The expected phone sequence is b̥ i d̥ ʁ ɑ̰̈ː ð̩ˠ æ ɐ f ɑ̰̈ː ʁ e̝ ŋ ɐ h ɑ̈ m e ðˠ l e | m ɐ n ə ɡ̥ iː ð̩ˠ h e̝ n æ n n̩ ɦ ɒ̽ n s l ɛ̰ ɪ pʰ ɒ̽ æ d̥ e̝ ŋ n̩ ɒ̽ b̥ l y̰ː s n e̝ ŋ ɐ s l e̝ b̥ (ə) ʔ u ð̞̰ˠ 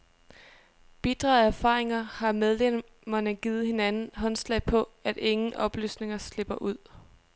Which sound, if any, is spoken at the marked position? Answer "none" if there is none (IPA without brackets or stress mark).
ɐ